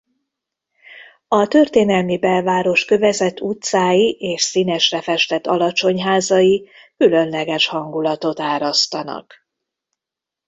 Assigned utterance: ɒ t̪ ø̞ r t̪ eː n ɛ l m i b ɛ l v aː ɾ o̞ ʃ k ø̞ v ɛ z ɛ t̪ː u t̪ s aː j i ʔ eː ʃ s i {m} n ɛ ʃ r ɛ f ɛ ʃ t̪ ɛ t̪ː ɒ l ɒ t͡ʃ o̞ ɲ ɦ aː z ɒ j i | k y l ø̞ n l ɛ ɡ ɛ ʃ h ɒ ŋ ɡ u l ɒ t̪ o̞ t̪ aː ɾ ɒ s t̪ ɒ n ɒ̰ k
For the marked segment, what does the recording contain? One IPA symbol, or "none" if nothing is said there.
none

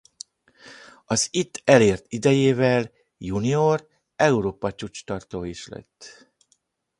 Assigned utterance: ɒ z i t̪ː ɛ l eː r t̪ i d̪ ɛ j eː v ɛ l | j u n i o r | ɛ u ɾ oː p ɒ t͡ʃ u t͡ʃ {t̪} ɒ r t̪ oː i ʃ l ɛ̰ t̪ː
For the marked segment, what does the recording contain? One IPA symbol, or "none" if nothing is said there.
t̪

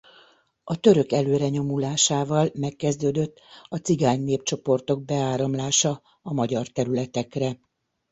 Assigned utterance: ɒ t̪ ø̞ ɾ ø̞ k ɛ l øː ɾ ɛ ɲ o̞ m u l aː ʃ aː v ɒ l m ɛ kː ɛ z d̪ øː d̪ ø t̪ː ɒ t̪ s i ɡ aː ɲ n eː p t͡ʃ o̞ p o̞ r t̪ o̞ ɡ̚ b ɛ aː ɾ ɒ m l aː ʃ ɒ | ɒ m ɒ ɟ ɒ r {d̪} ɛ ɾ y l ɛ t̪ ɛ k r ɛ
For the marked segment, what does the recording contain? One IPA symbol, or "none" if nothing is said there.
t̪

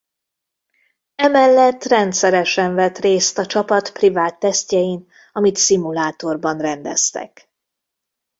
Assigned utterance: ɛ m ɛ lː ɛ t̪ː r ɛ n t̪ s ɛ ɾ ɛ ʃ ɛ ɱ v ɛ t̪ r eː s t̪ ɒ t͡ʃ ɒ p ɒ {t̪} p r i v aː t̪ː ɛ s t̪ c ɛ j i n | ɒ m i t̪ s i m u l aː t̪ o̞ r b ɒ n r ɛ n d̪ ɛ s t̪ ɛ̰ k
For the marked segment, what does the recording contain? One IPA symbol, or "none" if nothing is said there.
t̪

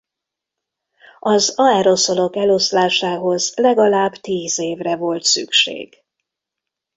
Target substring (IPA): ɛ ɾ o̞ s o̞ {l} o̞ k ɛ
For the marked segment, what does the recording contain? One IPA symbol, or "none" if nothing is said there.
l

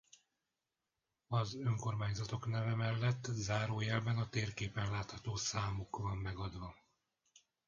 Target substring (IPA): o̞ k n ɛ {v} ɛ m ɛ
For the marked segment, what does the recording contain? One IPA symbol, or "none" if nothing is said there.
v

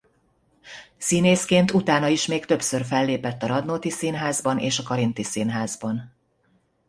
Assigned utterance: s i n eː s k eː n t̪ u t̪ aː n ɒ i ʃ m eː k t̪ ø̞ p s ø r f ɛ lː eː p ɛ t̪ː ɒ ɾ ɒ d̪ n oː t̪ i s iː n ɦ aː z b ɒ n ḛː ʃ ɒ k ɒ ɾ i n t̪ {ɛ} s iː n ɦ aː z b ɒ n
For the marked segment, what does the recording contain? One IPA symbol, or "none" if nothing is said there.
i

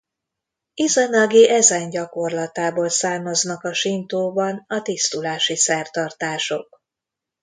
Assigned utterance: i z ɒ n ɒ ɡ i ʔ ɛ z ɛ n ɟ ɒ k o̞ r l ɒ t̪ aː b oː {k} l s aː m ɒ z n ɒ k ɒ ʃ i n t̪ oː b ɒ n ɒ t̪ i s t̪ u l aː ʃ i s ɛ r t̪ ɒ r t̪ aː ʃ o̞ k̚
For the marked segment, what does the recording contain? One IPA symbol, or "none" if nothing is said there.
none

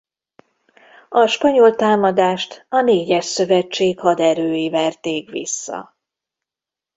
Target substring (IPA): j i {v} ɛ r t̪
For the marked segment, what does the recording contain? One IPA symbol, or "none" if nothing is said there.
v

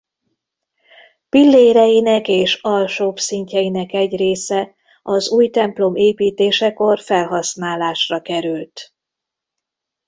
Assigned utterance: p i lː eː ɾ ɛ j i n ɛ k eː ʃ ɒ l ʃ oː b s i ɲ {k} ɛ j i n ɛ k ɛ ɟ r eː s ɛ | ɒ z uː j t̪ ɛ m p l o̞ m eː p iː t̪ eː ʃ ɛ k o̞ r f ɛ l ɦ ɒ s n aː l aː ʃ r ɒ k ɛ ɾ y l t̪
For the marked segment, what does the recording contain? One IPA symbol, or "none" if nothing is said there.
c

